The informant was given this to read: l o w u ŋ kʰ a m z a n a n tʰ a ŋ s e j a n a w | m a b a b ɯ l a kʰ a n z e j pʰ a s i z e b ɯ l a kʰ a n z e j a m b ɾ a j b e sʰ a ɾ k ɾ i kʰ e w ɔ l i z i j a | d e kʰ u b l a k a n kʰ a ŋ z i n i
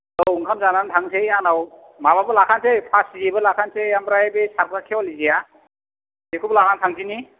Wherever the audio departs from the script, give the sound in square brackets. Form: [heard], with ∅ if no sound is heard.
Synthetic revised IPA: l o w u ŋ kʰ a m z a n a n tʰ a ŋ s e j a n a w | m a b a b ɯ l a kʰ a n [s] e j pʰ a s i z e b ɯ l a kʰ a n [s] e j a m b ɾ a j b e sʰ a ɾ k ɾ [a] kʰ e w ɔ l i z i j a | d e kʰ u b l a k a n [tʰ] a ŋ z i n i